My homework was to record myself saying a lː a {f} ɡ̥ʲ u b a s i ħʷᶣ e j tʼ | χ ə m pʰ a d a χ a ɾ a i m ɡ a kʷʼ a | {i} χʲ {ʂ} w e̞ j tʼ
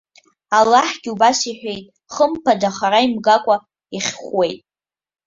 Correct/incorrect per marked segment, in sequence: incorrect: ħ, correct, incorrect: χ

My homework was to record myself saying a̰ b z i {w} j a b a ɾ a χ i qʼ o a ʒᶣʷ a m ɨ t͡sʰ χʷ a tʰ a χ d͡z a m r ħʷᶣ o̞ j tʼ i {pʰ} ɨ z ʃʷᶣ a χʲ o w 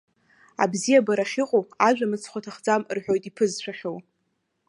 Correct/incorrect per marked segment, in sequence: incorrect: none, correct

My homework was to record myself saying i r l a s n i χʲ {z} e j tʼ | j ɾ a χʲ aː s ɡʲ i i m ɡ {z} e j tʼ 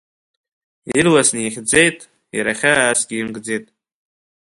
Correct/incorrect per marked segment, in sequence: incorrect: d͡z, incorrect: d͡z

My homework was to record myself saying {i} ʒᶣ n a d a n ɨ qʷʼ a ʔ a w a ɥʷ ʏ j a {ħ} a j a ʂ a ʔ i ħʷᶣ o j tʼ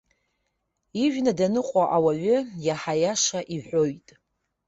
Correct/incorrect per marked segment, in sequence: correct, correct

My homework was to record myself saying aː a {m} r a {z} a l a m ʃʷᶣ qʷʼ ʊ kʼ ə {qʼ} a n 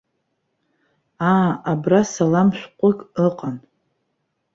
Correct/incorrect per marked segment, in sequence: incorrect: b, incorrect: s, correct

